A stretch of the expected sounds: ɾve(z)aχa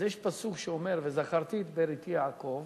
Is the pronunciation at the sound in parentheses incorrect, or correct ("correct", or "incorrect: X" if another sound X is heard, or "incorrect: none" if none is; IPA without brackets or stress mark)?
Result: correct